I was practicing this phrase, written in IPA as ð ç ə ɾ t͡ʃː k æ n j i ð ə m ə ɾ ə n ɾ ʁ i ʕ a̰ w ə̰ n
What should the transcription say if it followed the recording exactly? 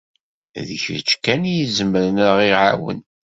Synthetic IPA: ð ç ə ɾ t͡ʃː k æ n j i z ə m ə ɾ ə n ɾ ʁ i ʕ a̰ w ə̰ n